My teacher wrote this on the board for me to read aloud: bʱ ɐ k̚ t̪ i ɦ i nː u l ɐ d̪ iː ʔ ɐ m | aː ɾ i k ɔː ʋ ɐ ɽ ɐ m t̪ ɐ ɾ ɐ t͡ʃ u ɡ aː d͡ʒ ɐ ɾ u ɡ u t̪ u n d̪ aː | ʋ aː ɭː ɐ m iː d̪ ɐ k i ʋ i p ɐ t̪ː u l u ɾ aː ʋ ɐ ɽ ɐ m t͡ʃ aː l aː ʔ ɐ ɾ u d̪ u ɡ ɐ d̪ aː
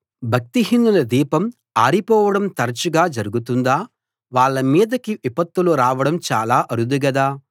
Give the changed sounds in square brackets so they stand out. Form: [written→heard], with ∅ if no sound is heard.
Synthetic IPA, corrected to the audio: bʱ ɐ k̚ t̪ i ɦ i nː u l ɐ d̪ iː [ʔ→p] ɐ m | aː ɾ i [k→p] ɔː ʋ ɐ ɽ ɐ m t̪ ɐ ɾ ɐ t͡ʃ u ɡ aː d͡ʒ ɐ ɾ u ɡ u t̪ u n d̪ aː | ʋ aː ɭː ɐ m iː d̪ ɐ k i ʋ i p ɐ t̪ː u l u ɾ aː ʋ ɐ ɽ ɐ m t͡ʃ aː l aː ʔ ɐ ɾ u d̪ u ɡ ɐ d̪ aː